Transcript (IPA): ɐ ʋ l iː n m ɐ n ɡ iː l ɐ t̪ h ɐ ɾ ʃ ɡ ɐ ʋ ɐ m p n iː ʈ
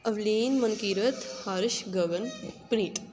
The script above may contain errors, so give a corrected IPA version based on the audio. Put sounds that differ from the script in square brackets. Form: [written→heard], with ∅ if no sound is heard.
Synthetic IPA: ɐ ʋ l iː n m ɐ n [ɡ→k] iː [l→ɾ] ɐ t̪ h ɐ ɾ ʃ ɡ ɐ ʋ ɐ [m→n] p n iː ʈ